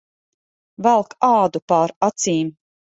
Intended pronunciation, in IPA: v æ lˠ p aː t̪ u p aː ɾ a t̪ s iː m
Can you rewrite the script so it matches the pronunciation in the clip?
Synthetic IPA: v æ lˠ k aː d̪ u p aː ɾ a t̪ s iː m